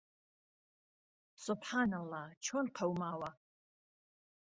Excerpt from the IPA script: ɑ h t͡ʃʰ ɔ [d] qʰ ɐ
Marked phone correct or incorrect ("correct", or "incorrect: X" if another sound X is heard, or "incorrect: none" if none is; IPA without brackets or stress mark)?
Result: incorrect: n